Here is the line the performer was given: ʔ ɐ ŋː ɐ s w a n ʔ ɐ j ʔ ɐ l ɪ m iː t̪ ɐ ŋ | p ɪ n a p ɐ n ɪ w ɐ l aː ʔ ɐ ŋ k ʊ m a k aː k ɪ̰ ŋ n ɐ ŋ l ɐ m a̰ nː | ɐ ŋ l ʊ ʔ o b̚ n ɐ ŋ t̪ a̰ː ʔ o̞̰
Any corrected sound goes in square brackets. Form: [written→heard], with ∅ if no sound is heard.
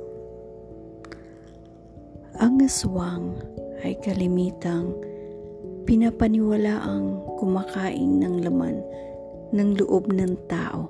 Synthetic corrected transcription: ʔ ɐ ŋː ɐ s w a [n→ŋ] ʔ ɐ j [ʔ→k] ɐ l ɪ m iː t̪ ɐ ŋ | p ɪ n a p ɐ n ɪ w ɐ l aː ʔ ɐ ŋ k ʊ m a k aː [k→ʔ] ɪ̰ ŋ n ɐ ŋ l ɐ m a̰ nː | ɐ ŋ l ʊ ʔ o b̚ n ɐ ŋ t̪ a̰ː ʔ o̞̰